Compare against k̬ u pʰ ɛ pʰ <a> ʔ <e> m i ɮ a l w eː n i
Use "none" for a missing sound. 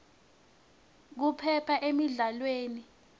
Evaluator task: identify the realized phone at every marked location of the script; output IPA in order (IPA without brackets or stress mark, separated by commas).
a, e